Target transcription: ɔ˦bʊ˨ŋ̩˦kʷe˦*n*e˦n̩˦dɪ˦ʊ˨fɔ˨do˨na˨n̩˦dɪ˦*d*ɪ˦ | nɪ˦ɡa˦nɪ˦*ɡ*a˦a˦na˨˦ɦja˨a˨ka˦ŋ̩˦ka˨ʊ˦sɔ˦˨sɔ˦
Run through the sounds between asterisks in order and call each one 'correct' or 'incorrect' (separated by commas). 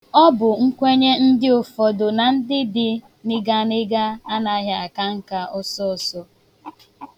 incorrect, correct, correct